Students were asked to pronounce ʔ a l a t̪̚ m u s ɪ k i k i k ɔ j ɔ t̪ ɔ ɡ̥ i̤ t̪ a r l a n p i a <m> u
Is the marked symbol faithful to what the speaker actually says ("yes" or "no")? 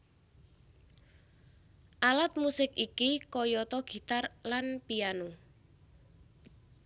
no